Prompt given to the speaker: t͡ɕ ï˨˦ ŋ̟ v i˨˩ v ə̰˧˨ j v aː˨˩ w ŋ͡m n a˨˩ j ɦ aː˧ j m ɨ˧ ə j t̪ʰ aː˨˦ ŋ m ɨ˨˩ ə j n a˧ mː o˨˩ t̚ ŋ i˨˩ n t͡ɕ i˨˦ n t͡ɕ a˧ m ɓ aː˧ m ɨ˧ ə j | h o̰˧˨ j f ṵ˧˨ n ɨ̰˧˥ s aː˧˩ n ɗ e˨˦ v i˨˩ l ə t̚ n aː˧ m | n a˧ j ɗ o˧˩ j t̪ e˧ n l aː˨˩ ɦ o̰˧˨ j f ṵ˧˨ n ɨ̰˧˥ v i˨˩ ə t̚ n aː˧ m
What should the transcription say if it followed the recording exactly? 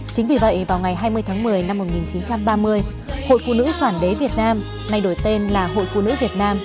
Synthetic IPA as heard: t͡ɕ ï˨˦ ŋ̟ v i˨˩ v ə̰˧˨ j v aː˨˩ w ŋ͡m ŋ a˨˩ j ɦ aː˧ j m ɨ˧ ə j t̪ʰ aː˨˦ ŋ m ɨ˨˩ ə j n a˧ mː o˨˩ t̚ ŋ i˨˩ n t͡ɕ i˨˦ n t͡ɕ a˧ m ɓ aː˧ m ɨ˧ ə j | h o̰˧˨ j f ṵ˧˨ n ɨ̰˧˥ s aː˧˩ n ɗ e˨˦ v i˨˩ ə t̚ n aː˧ m | n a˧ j ɗ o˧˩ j t̪ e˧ n l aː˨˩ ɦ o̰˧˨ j f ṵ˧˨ n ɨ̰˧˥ v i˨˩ ə t̚ n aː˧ m